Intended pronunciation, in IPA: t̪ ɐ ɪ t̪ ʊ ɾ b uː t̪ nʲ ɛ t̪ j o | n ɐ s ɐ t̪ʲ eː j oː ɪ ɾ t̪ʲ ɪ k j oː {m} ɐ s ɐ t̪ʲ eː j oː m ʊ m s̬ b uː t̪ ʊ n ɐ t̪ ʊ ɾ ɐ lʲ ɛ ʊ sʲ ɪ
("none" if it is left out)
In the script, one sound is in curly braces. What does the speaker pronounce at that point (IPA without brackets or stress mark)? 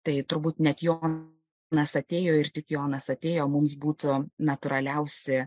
n